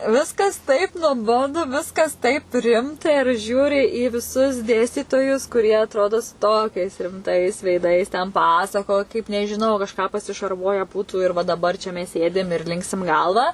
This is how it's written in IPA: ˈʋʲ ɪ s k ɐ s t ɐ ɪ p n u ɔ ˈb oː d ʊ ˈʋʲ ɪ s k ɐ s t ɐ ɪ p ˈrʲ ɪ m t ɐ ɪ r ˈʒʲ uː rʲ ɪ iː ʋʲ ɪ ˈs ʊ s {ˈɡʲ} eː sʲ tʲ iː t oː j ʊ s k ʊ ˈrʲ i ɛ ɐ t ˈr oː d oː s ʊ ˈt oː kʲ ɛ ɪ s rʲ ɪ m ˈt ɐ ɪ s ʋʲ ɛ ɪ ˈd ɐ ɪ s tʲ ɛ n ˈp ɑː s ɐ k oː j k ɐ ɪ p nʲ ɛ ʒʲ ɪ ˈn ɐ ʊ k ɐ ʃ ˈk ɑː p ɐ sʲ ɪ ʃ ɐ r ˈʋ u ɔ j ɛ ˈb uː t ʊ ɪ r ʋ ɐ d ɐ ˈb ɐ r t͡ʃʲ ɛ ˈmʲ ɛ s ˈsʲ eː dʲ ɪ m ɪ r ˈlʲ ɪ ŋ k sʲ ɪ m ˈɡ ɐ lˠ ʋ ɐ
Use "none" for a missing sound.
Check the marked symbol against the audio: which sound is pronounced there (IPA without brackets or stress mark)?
dʲ